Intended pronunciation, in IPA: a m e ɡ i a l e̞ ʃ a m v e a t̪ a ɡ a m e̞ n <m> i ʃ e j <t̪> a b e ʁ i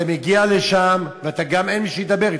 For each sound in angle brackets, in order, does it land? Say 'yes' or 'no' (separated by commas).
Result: yes, no